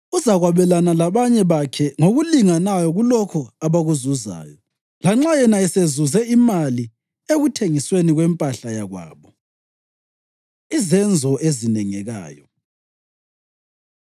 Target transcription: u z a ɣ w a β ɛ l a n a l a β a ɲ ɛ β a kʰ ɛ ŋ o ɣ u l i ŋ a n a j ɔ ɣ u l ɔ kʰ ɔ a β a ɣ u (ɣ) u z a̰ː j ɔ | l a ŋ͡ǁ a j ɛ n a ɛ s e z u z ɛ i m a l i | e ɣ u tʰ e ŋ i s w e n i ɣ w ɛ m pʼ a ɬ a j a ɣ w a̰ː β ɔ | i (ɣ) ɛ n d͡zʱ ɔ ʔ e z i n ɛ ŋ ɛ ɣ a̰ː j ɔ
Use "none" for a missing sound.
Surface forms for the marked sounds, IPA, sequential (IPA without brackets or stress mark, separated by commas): z, z